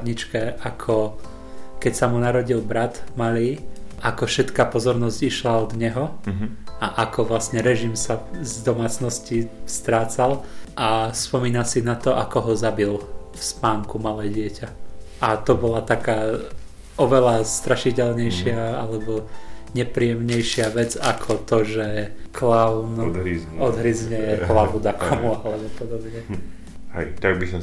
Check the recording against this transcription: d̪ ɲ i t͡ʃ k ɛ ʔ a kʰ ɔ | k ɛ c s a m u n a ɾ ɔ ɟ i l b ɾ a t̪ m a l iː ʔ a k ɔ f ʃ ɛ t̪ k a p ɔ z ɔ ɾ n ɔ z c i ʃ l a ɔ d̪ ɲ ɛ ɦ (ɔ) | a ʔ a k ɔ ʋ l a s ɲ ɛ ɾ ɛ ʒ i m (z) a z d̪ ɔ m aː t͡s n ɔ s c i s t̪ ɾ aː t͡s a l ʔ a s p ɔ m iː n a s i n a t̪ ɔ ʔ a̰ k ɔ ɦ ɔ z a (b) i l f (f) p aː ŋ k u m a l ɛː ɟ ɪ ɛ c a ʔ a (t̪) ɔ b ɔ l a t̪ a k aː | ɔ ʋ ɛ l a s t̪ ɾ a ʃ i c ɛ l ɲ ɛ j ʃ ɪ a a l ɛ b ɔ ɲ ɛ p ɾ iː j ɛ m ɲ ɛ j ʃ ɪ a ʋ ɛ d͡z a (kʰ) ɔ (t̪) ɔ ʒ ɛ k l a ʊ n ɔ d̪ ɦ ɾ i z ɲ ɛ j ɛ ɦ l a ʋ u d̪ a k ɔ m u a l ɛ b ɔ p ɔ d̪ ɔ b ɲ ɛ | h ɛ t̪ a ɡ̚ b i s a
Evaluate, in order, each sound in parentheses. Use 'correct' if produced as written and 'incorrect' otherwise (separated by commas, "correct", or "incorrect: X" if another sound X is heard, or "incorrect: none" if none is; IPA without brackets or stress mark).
correct, incorrect: s, correct, incorrect: s, correct, correct, correct